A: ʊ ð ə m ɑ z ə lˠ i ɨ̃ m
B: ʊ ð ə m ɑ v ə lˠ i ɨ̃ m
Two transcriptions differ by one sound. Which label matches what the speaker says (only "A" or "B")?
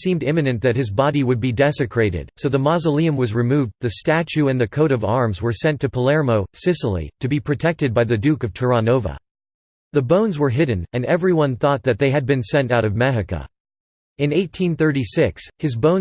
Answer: A